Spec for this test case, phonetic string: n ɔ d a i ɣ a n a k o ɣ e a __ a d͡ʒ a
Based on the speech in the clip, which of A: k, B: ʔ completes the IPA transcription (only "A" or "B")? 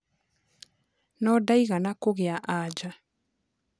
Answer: B